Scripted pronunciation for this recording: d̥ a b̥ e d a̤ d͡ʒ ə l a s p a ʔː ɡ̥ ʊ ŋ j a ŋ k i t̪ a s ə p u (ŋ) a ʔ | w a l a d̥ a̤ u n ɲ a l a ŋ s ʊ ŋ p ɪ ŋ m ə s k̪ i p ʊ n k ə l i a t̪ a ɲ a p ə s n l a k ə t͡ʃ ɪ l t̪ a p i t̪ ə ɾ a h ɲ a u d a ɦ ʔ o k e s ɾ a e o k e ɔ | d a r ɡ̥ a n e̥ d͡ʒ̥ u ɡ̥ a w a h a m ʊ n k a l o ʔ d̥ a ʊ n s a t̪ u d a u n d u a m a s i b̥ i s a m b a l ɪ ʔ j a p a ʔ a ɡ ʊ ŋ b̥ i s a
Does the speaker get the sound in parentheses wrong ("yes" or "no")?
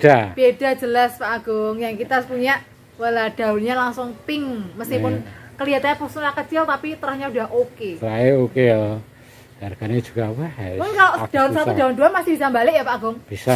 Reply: yes